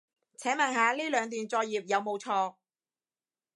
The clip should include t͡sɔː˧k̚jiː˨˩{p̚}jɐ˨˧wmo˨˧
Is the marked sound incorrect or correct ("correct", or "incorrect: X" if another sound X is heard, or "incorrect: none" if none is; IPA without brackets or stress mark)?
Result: correct